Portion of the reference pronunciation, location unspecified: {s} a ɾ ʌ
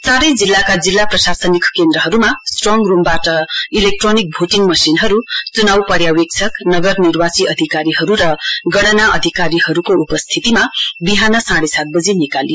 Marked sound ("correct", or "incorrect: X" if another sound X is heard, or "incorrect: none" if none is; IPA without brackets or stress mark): incorrect: t͡s